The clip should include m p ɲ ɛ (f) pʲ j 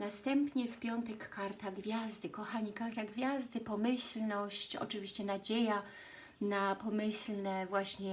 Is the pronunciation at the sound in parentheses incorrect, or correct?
correct